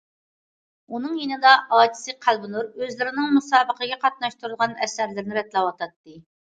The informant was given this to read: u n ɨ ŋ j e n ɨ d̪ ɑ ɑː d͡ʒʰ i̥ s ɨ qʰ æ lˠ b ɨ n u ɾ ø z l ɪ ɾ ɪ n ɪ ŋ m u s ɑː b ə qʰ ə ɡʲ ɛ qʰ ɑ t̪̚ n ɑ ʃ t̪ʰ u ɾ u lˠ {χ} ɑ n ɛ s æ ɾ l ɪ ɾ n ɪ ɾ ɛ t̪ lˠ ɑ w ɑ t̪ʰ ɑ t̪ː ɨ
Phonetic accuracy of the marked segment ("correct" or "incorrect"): incorrect